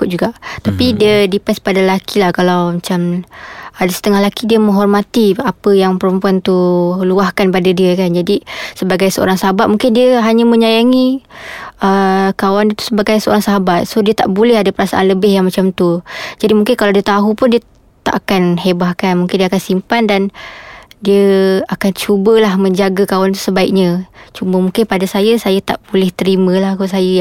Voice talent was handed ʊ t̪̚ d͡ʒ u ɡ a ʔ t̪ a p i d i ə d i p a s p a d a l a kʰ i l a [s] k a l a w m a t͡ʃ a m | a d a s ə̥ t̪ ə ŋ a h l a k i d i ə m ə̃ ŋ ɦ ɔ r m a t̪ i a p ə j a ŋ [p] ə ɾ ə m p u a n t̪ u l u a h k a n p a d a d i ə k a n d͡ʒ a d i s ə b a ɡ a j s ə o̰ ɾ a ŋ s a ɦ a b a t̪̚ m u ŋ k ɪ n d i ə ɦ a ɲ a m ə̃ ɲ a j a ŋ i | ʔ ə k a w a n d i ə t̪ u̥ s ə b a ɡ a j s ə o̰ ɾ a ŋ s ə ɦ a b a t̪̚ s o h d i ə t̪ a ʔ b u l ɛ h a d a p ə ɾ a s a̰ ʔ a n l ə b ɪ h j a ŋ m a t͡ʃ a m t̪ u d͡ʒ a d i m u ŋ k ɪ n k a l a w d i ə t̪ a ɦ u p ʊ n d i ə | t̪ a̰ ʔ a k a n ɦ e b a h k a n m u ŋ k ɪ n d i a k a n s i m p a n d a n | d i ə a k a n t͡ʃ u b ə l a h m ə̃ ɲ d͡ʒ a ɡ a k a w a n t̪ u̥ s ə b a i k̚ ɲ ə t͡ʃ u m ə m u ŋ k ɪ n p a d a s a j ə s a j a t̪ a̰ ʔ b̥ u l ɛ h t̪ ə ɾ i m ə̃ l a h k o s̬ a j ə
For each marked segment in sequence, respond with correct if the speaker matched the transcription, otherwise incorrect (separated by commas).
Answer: incorrect, correct